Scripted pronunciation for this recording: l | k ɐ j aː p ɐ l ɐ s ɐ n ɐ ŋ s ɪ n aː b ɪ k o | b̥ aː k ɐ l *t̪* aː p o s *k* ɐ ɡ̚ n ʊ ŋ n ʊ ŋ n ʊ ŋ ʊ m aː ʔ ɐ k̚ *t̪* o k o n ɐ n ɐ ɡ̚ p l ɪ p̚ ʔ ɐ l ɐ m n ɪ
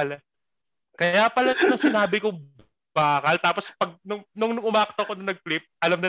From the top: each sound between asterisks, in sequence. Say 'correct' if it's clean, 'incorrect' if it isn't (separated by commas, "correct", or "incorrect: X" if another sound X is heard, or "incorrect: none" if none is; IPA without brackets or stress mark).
correct, incorrect: p, correct